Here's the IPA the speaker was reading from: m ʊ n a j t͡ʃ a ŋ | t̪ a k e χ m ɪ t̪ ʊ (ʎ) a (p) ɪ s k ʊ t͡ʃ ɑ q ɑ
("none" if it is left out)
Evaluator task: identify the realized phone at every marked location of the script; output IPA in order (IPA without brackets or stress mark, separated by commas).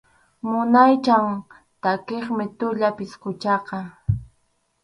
ʎ, p